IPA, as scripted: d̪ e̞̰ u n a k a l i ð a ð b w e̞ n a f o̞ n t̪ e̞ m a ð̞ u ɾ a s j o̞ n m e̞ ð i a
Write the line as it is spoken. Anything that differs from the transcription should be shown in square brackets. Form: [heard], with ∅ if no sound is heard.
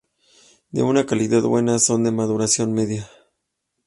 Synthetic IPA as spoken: d̪ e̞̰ u n a k a l i ð a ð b w e̞ n a [s] o̞ n [d̪] e̞ m a ð̞ u ɾ a s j o̞ n m e̞ ð [j] a

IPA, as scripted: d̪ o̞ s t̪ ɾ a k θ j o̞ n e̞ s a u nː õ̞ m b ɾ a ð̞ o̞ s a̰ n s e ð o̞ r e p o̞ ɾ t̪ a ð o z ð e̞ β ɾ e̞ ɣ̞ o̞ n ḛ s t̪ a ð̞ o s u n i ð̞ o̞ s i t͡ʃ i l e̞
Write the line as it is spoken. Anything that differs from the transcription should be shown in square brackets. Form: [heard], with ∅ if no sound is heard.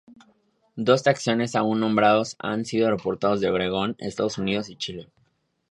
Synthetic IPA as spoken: d̪ o̞ s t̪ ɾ a k [s] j o̞ n e̞ s a u nː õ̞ m b ɾ a ð̞ o̞ s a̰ n s [i] ð o̞ r e p o̞ ɾ t̪ a ð o z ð e̞ β ɾ e̞ ɣ̞ o̞ n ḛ s t̪ a ð̞ o s u n i ð̞ o̞ s i t͡ʃ i l e̞

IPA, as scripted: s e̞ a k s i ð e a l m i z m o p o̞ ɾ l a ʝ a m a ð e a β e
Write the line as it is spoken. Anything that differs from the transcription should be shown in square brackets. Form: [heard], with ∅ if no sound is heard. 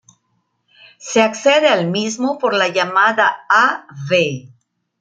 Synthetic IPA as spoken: s e̞ a k s [e] ð e a l m i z m o p o̞ ɾ l a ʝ a m a ð [a] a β e

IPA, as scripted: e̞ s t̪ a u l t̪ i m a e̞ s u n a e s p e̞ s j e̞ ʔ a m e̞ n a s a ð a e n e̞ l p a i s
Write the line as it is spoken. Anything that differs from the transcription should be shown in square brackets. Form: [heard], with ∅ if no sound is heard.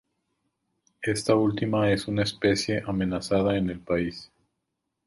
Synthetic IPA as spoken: e̞ s t̪ a u l t̪ i m a e̞ s u n a e s p e̞ s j e̞ ʔ a m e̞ n a s a ð a e n e̞ l p a i s

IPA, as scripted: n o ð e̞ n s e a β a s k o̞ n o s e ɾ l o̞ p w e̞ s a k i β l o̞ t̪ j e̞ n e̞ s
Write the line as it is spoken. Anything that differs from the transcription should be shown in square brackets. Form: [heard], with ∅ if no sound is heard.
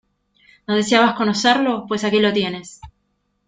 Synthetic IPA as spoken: n o ð e̞ [∅] s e a β a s k o̞ n o s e ɾ l o̞ p w e̞ s a k i [∅] l o̞ t̪ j e̞ n e̞ s

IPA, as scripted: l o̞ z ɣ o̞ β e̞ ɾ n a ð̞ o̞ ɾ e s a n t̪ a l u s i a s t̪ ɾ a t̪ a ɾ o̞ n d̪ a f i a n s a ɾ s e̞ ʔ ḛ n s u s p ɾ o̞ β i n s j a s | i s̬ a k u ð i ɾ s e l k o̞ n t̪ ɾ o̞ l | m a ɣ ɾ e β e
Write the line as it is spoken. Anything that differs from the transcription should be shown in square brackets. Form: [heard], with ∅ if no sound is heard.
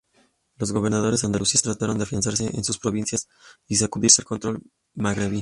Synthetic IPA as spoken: l o̞ z ɣ o̞ β e̞ ɾ n a ð̞ o̞ ɾ e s a n [d̪] a l u s i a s t̪ ɾ a t̪ a ɾ o̞ n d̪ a f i a n s a ɾ s e̞ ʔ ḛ n s u s p ɾ o̞ β i n s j a s | i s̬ a k u ð i ɾ s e l k o̞ n t̪ ɾ o̞ l | m a ɣ ɾ e β [i]

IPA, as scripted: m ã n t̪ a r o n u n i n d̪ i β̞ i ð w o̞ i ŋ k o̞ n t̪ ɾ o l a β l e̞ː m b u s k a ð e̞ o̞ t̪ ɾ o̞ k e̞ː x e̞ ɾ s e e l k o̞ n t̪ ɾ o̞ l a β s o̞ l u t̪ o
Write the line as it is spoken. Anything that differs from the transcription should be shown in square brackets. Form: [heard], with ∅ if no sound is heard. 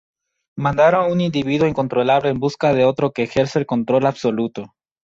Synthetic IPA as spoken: m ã n [d̪] a [ɾ] o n u n i n d̪ i β̞ i ð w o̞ i ŋ k o̞ n t̪ ɾ o l a β l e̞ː m b u s k a ð e̞ o̞ t̪ ɾ o̞ k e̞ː x e̞ ɾ s e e l k o̞ n t̪ ɾ o̞ l a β s o̞ l u t̪ o

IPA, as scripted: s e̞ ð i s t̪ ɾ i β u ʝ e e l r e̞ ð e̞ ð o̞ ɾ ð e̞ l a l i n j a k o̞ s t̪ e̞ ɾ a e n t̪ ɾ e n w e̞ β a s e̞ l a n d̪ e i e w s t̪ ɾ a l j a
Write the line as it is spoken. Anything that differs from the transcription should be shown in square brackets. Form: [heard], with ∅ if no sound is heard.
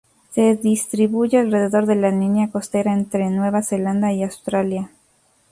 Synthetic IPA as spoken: s e̞ ð i s t̪ ɾ i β u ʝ e [a] l r e̞ ð e̞ ð o̞ ɾ ð e̞ l a l i n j a k o̞ s t̪ e̞ ɾ a e n t̪ ɾ e n w e̞ β a s e̞ l a n d̪ [a] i [a] w s t̪ ɾ a l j a

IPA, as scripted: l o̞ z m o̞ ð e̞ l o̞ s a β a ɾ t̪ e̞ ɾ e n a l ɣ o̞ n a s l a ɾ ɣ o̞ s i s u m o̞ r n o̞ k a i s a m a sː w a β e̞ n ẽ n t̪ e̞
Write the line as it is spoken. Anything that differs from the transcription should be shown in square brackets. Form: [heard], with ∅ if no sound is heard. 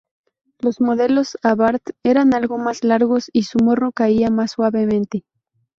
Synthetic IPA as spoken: l o̞ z m o̞ ð e̞ l o̞ s a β a ɾ t̪ e̞ ɾ [a] n a l ɣ o̞ [m] a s l a ɾ ɣ o̞ s i s u m o̞ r n o̞ k a i [∅] a m a sː w a β e̞ [m] ẽ n t̪ e̞

